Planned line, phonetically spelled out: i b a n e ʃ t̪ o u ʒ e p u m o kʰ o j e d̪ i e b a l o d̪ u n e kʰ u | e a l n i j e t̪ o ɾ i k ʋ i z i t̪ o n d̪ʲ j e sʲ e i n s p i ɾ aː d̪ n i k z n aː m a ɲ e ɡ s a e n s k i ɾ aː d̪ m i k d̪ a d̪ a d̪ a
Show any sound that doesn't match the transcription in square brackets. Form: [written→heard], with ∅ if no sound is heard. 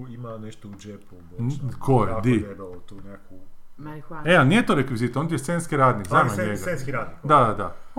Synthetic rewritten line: i [b→m] a n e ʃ t̪ o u [ʒ→d͡ʒ] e p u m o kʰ o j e d̪ i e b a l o [d̪→t̪] u n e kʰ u | e a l n i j e t̪ o ɾ [i→e] k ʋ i z i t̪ o n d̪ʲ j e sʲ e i n s [p→k] i ɾ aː d̪ n i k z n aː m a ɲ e ɡ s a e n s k i ɾ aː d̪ [m→n] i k d̪ a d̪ a d̪ a